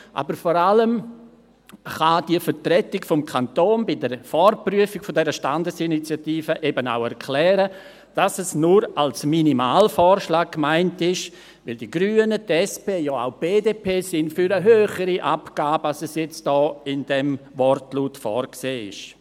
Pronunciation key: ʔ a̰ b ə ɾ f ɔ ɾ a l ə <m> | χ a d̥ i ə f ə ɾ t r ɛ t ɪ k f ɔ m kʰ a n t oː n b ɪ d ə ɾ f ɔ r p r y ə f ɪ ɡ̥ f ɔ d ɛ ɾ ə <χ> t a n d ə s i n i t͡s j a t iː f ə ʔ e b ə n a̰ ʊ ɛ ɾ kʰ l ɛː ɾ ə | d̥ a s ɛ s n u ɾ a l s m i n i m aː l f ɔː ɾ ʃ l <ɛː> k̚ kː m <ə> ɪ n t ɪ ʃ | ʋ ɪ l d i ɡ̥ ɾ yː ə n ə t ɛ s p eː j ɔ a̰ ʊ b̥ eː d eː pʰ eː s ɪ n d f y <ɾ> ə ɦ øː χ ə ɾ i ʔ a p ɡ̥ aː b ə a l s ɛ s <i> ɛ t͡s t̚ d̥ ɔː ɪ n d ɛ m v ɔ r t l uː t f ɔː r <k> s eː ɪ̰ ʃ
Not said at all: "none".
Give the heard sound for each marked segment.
m, ʃ, aː, a, ɾ, j, k

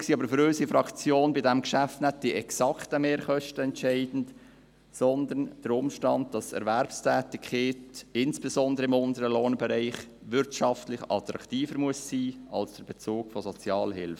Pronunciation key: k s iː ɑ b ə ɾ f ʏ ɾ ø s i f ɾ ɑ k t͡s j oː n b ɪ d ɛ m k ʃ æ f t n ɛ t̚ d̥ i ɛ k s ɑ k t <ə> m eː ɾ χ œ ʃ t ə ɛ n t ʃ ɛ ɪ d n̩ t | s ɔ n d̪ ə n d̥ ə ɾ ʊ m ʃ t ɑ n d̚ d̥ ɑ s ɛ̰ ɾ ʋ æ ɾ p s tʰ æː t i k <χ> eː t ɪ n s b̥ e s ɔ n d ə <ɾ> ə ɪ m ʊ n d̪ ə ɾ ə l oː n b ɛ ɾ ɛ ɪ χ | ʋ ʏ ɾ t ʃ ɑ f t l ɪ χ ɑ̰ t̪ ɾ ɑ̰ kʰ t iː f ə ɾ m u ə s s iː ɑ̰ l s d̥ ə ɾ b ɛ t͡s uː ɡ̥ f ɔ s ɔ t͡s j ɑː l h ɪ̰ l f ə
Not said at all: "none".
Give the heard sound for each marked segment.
ə, χ, ɾ

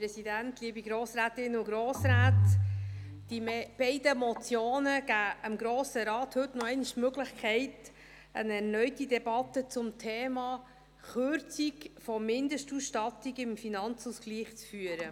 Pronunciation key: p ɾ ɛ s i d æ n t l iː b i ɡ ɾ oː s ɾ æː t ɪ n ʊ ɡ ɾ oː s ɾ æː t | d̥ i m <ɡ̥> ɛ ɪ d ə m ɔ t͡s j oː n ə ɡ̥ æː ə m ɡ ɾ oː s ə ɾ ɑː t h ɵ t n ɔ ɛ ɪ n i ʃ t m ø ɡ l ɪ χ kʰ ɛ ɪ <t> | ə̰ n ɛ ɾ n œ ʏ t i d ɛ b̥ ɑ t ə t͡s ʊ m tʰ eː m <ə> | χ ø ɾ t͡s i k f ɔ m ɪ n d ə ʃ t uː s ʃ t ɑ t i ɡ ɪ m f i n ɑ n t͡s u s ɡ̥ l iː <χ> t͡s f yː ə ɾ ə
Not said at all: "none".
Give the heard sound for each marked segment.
b̥, t, ɑ, χ

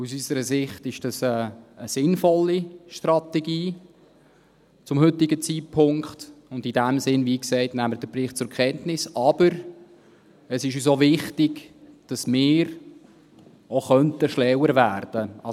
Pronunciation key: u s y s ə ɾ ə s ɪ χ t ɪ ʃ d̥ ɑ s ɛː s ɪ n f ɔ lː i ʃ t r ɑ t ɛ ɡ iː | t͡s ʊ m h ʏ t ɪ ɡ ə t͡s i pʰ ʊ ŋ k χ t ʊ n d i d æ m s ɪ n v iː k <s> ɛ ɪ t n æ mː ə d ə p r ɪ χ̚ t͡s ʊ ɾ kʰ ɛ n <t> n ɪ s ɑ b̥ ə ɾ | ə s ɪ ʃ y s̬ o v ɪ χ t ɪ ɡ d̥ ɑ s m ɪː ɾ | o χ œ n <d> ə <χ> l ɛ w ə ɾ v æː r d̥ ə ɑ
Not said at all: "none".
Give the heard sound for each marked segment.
s, t, t, ʃ

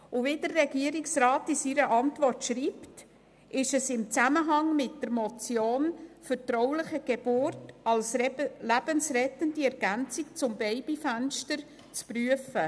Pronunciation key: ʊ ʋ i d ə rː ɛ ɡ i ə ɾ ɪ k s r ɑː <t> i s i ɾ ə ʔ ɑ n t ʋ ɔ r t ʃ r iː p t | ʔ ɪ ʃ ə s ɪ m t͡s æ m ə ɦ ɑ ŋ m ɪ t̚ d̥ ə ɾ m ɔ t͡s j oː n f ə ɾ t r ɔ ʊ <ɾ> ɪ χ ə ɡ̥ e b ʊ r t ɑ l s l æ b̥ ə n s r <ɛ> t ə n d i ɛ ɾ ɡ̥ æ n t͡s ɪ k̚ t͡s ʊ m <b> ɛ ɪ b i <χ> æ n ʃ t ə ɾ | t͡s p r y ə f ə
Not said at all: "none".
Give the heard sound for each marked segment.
t, l, ɛ, b, f

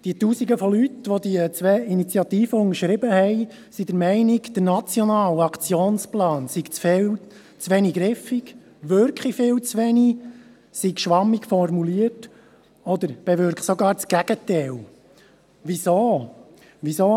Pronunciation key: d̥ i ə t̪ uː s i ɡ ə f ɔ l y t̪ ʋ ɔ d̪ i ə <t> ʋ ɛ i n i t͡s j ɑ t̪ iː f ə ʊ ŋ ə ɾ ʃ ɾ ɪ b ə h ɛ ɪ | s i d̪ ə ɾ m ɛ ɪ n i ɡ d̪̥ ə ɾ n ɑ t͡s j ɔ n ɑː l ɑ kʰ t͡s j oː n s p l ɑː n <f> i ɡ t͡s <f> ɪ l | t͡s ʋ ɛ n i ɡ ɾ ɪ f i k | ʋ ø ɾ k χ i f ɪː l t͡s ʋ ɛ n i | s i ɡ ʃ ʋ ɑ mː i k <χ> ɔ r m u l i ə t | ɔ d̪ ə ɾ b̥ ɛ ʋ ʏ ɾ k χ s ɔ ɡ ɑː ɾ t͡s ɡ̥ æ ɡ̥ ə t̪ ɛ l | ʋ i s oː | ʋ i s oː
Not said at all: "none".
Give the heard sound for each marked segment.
t͡s, s, f, f

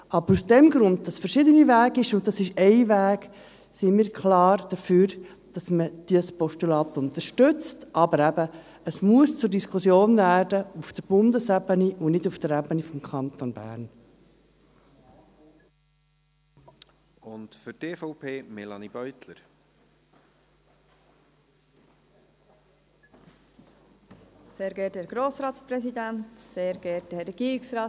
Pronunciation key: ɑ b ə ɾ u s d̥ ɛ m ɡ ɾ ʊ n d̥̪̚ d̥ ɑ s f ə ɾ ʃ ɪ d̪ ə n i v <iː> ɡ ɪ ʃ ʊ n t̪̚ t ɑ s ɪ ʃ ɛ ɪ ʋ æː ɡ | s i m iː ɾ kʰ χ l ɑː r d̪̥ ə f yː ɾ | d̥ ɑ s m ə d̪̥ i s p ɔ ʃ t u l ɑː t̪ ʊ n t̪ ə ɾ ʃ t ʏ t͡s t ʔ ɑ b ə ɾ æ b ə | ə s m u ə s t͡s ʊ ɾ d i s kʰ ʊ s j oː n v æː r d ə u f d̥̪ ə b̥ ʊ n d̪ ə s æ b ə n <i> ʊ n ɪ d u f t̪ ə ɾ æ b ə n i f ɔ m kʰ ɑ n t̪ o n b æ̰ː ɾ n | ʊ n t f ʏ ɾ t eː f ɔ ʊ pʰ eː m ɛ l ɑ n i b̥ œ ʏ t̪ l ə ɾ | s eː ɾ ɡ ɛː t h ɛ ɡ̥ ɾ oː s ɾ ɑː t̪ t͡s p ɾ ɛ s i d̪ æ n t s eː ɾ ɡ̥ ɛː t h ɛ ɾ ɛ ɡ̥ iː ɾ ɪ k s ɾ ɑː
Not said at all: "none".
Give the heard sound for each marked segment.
æː, i

